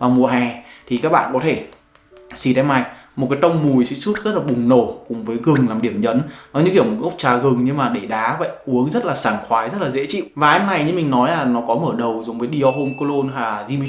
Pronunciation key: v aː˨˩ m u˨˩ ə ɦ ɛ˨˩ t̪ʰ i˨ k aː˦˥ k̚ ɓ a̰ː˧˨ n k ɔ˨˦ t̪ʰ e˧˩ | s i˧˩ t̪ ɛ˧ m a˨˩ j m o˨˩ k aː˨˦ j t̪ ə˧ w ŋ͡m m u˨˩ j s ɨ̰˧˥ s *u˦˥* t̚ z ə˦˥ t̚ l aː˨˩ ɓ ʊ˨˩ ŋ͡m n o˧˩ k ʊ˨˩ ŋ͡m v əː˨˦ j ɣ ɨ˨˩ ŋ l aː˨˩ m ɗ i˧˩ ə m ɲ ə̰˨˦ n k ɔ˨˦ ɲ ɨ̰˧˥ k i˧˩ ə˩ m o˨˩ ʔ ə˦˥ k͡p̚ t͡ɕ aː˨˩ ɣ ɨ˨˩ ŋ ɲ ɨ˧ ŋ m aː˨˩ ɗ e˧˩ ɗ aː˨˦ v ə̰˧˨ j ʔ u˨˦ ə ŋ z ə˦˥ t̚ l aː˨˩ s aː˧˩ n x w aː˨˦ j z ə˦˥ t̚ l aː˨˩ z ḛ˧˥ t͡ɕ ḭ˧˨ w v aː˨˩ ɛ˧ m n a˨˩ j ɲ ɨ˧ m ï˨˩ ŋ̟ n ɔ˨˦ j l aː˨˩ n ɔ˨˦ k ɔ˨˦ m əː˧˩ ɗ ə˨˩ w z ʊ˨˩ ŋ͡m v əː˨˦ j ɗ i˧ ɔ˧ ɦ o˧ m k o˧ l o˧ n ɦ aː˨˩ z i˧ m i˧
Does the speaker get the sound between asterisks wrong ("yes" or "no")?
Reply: no